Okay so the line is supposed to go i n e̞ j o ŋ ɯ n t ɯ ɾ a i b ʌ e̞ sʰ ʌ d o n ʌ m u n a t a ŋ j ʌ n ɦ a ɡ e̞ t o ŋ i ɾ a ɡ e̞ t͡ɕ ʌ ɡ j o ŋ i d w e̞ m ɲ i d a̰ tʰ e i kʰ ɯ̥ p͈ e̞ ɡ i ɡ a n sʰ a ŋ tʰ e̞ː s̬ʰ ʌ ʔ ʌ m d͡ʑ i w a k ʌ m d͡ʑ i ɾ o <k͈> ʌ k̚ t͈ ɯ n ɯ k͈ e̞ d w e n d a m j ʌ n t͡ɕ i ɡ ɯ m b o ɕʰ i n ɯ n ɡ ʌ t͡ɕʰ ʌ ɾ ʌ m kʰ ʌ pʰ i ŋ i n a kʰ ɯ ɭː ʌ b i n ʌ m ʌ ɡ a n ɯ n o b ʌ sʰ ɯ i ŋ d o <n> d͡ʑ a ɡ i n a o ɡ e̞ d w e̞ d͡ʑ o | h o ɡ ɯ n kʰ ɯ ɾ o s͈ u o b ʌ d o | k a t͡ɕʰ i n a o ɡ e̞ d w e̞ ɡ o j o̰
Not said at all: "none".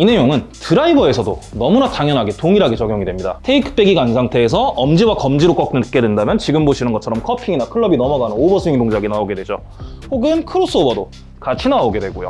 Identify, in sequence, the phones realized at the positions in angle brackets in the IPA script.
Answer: k͈, ŋ

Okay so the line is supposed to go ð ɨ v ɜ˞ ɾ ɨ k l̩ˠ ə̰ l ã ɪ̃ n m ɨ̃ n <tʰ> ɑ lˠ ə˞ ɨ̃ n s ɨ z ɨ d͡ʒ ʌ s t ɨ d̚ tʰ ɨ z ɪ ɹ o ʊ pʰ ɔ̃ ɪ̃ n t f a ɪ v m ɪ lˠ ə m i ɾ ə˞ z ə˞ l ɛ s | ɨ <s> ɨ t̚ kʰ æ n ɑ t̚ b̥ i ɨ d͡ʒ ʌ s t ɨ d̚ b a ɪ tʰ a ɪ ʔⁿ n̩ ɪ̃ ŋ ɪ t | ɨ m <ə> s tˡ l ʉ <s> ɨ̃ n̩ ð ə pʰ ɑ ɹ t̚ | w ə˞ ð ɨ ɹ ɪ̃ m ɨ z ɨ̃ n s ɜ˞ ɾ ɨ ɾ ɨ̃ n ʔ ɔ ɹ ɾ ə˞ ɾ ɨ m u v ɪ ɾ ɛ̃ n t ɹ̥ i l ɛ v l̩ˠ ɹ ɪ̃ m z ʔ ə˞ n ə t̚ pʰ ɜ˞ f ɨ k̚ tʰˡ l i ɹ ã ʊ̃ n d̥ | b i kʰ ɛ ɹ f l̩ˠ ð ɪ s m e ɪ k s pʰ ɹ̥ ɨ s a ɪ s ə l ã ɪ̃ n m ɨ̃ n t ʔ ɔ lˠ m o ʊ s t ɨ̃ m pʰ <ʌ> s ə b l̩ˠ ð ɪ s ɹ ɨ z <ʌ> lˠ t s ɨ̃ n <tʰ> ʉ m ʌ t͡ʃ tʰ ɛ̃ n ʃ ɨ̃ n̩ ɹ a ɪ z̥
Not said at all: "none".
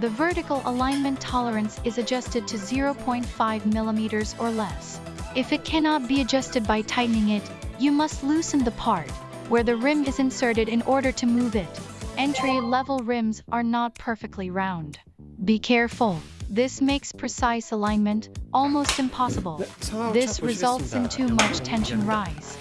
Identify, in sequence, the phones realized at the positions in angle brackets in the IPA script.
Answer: tʰ, f, ʌ, s, ɑ, ʌ, tʰ

